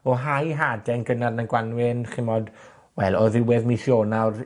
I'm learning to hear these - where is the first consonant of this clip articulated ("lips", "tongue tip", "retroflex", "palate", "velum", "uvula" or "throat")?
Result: throat